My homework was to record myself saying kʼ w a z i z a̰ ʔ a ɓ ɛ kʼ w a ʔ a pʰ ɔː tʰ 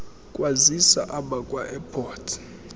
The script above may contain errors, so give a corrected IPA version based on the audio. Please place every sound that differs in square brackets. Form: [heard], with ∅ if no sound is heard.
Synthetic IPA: kʼ w a z i [s] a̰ ʔ a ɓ [a] kʼ w a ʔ [ɛ] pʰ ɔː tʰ